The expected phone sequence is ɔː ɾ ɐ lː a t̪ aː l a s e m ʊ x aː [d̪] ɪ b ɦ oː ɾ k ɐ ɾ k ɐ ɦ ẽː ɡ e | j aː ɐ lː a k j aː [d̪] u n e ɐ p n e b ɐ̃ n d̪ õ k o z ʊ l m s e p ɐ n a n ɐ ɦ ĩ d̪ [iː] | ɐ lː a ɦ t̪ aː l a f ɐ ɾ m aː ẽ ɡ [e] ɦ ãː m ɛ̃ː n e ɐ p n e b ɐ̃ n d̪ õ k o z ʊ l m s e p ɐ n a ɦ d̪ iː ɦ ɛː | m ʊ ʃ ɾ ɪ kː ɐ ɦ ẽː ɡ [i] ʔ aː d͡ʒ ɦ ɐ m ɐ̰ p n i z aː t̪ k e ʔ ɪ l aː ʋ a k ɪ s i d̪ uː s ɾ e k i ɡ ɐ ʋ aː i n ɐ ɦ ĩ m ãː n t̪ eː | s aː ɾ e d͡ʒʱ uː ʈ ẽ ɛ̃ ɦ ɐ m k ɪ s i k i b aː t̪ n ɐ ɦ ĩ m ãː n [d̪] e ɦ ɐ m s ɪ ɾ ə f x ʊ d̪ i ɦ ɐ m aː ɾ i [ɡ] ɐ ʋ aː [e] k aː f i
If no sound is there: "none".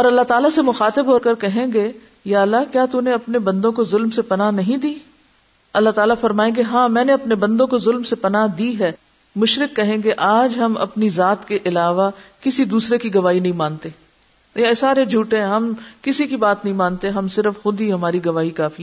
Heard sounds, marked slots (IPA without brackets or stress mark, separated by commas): t̪, t̪, iː, e, e, t̪, ɡ, i